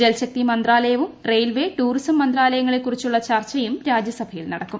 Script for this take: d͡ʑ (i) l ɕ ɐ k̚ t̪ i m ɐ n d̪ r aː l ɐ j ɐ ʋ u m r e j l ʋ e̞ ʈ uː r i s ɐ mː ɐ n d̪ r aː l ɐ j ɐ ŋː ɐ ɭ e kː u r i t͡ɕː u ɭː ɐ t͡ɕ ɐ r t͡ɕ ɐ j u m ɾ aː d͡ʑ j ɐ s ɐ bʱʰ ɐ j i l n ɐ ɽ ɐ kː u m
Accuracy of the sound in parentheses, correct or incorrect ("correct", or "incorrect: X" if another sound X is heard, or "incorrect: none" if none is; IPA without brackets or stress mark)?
incorrect: e